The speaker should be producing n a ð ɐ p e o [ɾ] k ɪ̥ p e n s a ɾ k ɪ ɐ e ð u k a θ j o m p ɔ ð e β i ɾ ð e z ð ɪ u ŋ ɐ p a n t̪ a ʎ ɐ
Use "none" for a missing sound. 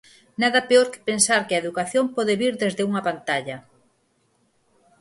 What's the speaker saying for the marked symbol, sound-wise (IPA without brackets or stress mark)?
ɾ